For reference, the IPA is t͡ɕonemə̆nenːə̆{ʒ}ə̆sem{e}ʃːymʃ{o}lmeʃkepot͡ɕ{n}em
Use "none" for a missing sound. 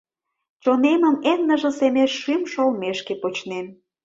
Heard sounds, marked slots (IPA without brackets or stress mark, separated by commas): ʒ, e, o, n